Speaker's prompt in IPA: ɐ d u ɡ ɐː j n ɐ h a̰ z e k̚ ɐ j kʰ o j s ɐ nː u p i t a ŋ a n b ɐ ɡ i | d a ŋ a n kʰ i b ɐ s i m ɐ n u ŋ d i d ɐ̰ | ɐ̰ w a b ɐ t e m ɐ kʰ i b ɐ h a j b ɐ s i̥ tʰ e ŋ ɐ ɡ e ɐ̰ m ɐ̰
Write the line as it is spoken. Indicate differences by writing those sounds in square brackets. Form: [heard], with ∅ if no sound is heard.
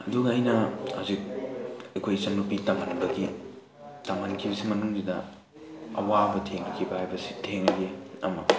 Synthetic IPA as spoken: ɐ d u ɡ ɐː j n ɐ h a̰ z [i] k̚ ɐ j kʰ o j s ɐ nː u p i t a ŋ a n b ɐ ɡ i | [t] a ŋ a n kʰ i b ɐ s i m ɐ n u ŋ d i d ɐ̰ | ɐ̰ w a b ɐ [tʰ] e [ŋ] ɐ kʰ i b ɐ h a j b ɐ s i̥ tʰ e ŋ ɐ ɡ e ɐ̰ m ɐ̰